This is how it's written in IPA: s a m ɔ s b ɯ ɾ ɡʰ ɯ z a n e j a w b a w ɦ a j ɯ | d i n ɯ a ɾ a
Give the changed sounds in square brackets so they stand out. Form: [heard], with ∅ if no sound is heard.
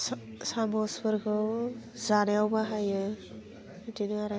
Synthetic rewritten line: s a m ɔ s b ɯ ɾ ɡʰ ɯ z a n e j a w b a [∅] ɦ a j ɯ | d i n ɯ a ɾ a

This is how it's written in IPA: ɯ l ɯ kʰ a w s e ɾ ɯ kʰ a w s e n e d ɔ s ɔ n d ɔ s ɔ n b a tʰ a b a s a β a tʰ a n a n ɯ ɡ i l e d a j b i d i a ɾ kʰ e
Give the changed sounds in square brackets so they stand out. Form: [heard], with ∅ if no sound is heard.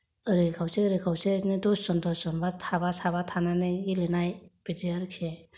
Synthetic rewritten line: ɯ [ɾ] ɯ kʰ a w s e ɾ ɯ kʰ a w s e n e d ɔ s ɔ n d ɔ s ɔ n b a tʰ a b a s a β a tʰ a n a n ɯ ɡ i l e [n] a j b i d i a ɾ kʰ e

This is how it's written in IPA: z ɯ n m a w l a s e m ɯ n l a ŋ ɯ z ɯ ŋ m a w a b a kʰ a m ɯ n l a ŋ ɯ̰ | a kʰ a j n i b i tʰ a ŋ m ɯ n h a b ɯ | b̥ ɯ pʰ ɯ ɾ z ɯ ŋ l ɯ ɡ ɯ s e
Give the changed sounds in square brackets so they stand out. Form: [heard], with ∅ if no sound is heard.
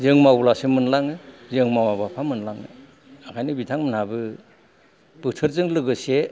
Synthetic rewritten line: z ɯ [ŋ] m a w l a s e m ɯ n l a ŋ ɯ z ɯ ŋ m a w a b a [pʰ] a m ɯ n l a ŋ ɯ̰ | a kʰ a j n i b i tʰ a ŋ m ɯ n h a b ɯ | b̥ ɯ [tʰ] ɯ ɾ z ɯ ŋ l ɯ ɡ ɯ s e

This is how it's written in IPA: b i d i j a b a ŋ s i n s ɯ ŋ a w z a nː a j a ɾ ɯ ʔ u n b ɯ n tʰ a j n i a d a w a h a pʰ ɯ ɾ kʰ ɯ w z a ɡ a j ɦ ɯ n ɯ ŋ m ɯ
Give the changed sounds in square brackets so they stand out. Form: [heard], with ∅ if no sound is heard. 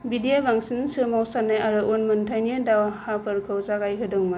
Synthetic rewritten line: b i d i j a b a ŋ s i n s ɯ [m] a w [s] a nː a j a ɾ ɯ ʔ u n [m] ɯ n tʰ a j n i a d a w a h a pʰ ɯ ɾ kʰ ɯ w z a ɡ a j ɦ ɯ [d] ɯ ŋ m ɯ

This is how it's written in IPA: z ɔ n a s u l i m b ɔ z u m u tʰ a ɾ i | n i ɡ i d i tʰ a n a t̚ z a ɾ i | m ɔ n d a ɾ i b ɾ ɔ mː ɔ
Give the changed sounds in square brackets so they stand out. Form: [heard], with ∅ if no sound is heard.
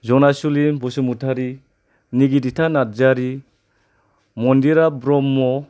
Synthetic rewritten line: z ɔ n a s u l i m b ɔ [s] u m u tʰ a ɾ i | n i ɡ i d i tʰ a n a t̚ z a ɾ i | m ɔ n d [i] ɾ [a] b ɾ ɔ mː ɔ

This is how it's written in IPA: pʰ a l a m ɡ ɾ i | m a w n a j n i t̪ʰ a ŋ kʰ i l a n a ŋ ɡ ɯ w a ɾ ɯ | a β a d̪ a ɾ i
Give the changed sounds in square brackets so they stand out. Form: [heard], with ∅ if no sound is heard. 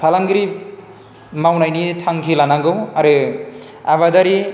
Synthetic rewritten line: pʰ a l a [ŋ] ɡ ɾ i | m a w n a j n i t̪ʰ a ŋ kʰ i l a n a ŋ ɡ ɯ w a ɾ ɯ | a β a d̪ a ɾ i

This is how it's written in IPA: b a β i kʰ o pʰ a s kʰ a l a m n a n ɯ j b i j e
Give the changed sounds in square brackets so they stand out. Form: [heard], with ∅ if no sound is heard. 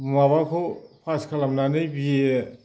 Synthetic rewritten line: [m] a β [a] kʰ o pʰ a s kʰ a l a m n a n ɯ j b i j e

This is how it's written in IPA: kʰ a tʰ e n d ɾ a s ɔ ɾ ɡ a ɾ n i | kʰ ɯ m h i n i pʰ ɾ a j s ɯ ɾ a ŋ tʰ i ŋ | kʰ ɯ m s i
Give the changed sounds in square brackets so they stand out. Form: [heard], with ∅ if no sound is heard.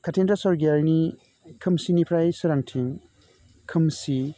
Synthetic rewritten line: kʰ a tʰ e n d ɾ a s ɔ ɾ ɡ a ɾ n i | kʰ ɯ m [s] i n i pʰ ɾ a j s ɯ ɾ a ŋ tʰ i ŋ | kʰ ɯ m s i

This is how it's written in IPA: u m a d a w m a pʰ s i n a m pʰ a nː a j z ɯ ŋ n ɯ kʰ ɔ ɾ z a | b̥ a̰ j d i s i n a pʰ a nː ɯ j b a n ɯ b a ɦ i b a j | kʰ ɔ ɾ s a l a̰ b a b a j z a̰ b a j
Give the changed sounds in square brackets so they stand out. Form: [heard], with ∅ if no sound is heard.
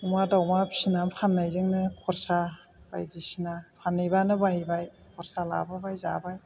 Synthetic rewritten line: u m a d a w m a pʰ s i n a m pʰ a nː a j z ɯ ŋ n ɯ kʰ ɔ ɾ [s] a | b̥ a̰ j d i s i n a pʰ a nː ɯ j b a n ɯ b a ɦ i b a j | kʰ ɔ ɾ s a l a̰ b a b a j z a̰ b a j

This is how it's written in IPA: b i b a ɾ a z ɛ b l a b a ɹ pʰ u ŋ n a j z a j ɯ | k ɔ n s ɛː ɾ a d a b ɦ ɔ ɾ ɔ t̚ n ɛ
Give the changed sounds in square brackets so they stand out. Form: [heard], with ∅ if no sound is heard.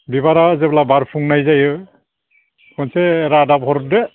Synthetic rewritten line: b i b a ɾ a z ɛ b l a b a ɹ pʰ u ŋ n a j z a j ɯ | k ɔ n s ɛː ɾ a d a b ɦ ɔ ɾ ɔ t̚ [d] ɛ

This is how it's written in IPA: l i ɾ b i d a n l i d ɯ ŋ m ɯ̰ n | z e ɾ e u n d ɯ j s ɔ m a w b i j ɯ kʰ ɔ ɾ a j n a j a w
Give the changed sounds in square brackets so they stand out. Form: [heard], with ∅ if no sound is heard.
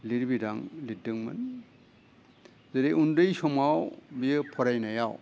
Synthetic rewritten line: l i ɾ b i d a [ŋ] l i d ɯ ŋ m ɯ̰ n | z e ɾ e u n d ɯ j s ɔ m a w b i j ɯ [pʰ] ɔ ɾ a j n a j a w

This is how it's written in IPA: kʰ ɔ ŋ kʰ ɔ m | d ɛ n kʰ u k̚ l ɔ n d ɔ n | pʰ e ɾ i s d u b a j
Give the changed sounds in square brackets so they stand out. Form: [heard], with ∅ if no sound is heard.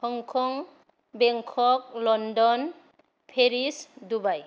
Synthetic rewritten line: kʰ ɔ ŋ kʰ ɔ [ŋ] | [b] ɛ [ŋ] kʰ [ɔ] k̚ l ɔ n d ɔ n | pʰ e ɾ i s d u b a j

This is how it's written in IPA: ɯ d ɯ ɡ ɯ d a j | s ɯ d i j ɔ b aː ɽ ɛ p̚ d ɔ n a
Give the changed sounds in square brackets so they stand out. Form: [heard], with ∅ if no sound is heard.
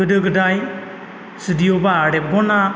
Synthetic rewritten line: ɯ d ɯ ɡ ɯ d a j | s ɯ d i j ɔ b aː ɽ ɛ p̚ [ɡ] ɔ n a

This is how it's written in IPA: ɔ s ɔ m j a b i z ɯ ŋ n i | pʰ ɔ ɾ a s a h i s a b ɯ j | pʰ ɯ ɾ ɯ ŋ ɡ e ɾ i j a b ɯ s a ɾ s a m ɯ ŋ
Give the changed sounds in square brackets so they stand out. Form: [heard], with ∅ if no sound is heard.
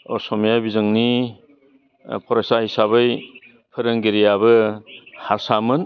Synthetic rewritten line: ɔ s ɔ m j a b i z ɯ ŋ n i | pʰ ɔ ɾ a s a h i s a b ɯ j | pʰ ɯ ɾ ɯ ŋ ɡ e ɾ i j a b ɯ [h] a ɾ s a m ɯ [n]

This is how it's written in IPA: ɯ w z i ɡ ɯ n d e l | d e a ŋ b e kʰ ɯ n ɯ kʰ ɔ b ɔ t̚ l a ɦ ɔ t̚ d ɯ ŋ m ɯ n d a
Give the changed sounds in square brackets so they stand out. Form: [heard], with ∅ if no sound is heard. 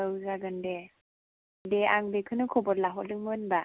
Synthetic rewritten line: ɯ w z [a] ɡ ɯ n d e [∅] | d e a ŋ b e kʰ ɯ n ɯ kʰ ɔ b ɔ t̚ l a ɦ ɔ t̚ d ɯ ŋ m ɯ n [b] a

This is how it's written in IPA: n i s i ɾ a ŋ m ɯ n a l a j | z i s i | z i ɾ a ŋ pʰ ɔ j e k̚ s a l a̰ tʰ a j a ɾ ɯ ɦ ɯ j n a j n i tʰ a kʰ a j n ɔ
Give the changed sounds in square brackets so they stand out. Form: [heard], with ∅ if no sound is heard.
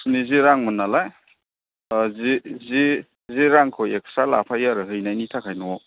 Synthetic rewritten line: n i [z] i ɾ a ŋ m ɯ n a l a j | z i [z] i | z i ɾ a ŋ [kʰ] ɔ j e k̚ s a l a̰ [pʰ] a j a ɾ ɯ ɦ ɯ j n a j n i tʰ a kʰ a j n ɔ

